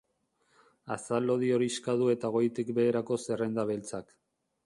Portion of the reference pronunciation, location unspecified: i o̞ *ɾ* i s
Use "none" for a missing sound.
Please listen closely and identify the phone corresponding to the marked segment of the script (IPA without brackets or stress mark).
ɾ